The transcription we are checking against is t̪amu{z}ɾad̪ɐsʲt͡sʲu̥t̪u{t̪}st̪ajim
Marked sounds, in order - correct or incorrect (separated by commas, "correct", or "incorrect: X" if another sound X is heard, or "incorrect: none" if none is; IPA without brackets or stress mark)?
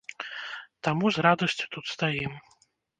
correct, correct